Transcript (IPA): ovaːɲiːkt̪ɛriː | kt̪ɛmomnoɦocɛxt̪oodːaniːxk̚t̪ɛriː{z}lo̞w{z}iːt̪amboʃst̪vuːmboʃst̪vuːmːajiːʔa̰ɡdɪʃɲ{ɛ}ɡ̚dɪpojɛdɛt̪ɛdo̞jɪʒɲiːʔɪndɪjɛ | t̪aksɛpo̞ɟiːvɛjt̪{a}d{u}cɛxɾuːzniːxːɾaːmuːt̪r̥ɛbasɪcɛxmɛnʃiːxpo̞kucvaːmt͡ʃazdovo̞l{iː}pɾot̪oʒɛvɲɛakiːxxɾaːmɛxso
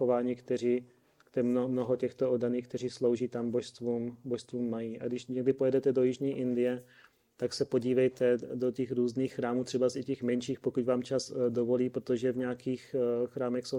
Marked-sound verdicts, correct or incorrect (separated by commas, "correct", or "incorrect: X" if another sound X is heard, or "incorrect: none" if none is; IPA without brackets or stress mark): incorrect: s, incorrect: ʒ, correct, incorrect: ɛ, incorrect: o, correct